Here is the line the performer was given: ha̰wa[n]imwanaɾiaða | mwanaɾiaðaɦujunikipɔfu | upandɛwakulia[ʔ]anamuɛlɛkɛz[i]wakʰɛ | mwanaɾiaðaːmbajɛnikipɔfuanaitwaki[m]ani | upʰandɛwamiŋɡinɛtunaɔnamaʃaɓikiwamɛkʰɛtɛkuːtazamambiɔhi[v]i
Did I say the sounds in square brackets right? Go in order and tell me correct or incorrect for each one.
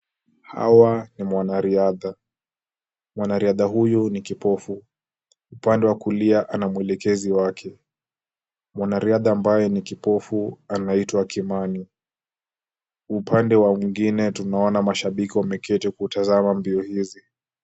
correct, correct, correct, correct, incorrect: z

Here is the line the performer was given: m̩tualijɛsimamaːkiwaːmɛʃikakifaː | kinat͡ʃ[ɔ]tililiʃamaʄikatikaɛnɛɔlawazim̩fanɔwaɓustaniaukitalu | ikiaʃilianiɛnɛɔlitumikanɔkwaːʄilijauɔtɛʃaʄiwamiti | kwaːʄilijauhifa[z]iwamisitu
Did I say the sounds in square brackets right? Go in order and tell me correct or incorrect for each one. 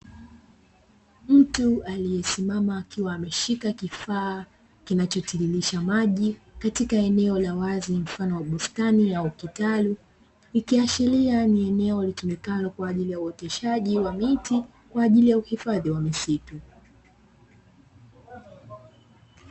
correct, incorrect: ð

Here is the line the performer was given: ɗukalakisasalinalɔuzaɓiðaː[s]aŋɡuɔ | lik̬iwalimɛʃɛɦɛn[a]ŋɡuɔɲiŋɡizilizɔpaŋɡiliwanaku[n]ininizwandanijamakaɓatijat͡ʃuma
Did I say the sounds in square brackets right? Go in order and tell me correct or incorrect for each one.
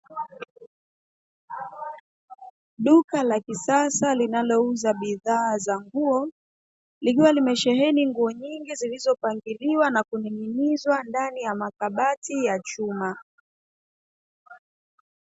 incorrect: z, incorrect: i, correct

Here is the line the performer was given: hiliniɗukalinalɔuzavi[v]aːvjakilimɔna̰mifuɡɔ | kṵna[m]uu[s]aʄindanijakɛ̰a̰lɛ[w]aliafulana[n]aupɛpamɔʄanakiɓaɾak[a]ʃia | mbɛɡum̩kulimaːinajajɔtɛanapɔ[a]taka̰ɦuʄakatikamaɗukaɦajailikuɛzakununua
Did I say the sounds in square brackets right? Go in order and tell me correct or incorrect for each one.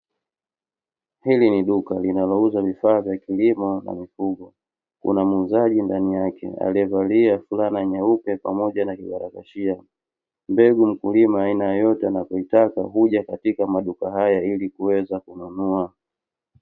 incorrect: f, correct, incorrect: z, incorrect: v, incorrect: ɲ, correct, incorrect: i

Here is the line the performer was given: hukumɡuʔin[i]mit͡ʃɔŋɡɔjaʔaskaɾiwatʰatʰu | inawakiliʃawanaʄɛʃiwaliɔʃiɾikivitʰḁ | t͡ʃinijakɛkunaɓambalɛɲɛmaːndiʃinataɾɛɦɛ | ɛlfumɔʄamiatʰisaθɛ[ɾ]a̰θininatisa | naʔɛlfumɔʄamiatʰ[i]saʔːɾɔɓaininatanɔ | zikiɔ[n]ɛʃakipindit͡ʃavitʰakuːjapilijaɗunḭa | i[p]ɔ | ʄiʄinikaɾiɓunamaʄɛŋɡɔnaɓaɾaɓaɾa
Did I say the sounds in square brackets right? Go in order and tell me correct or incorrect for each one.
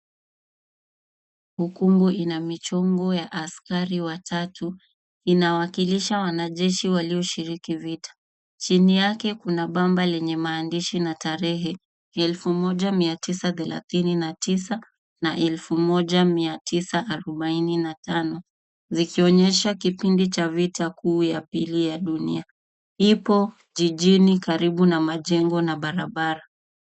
incorrect: a, incorrect: l, correct, incorrect: ɲ, correct

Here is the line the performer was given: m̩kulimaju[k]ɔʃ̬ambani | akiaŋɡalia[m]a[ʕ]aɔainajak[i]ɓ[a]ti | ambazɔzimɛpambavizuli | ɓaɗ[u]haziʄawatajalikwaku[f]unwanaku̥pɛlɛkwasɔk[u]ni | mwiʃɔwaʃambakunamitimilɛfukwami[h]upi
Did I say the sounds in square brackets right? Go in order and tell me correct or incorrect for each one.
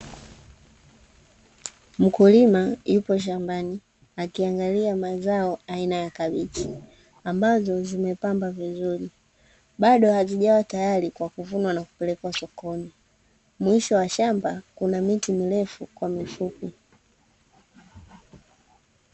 incorrect: p, correct, incorrect: z, incorrect: a, incorrect: i, incorrect: ɔ, incorrect: v, incorrect: ɔ, incorrect: f

